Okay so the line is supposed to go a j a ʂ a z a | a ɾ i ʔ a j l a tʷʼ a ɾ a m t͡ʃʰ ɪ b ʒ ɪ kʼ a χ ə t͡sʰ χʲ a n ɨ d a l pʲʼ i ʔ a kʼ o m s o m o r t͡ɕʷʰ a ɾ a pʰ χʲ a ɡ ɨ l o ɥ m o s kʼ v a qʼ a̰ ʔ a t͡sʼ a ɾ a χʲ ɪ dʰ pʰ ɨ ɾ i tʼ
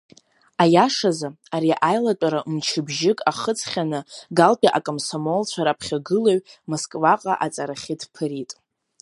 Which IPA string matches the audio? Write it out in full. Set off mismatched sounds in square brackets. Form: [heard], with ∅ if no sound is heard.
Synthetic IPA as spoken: a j a ʂ a z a | a ɾ i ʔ a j l a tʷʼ a ɾ a m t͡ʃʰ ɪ b ʒ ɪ kʼ a χ ə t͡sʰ χʲ a n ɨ [ɡ] a l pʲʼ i ʔ a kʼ o m s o m o [l] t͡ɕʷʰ a ɾ a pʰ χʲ a ɡ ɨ l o ɥ m o s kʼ v a qʼ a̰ ʔ a t͡sʼ a ɾ a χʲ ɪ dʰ pʰ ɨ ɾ i tʼ